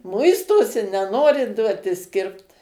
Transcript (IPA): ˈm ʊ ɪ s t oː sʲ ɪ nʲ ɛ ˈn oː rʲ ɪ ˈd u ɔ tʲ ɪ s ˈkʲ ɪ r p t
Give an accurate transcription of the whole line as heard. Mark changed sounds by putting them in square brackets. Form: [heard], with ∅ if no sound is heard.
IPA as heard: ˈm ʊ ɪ s t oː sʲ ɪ nʲ ɛ ˈn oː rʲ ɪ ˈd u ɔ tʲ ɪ s ˈkʲ ɪ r p t